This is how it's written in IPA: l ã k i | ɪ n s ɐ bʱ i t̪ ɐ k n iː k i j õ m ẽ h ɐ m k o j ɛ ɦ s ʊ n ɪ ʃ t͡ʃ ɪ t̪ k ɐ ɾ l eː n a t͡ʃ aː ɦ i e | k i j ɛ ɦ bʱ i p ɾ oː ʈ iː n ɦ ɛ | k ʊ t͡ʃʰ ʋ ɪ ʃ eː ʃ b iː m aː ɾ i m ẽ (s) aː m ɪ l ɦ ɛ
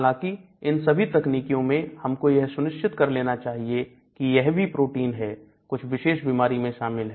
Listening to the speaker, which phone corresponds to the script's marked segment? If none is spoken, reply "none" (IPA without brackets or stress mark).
ʃ